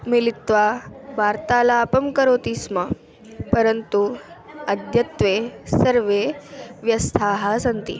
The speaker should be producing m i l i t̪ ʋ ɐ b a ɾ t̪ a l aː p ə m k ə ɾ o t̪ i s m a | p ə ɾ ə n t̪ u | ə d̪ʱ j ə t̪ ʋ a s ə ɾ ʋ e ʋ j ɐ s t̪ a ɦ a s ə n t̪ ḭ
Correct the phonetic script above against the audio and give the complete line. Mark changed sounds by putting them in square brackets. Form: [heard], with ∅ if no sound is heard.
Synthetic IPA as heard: m i l i t̪ ʋ [a] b a ɾ t̪ a l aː p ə m k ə ɾ o t̪ i s m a | p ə ɾ ə n t̪ u | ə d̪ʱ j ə t̪ ʋ [e] s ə ɾ ʋ e ʋ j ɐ s [t̪ʰ] a ɦ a s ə n t̪ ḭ